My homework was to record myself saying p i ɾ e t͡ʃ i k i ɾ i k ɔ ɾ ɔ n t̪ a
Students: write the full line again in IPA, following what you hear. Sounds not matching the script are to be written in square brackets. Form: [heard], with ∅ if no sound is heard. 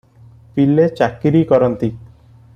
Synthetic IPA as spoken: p i [l] e t͡ʃ [a] k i ɾ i k ɔ ɾ ɔ n t̪ [i]